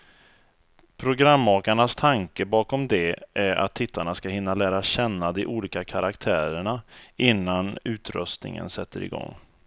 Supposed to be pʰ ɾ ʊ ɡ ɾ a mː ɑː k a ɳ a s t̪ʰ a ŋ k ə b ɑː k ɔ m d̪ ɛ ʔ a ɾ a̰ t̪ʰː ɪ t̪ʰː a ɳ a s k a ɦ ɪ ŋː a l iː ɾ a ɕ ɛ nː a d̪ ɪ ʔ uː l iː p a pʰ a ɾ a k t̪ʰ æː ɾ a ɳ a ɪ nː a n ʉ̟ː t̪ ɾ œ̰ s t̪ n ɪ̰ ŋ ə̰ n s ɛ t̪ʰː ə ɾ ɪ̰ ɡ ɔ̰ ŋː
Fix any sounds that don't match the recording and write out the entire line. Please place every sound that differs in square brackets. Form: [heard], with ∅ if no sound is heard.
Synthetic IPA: pʰ ɾ ʊ ɡ ɾ a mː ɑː k a ɳ a s t̪ʰ a ŋ k ə b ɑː k ɔ m d̪ ɛ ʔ [æ] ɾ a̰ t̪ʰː ɪ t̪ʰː a ɳ a s k a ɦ ɪ [nː] a l [æː] ɾ a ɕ ɛ nː a d̪ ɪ ʔ uː l iː [k] a [kʰ] a ɾ a k t̪ʰ æː ɾ [ə] ɳ a ɪ nː a n ʉ̟ː t̪ ɾ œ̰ s t̪ n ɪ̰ ŋ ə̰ n s ɛ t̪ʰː ə ɾ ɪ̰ ɡ ɔ̰ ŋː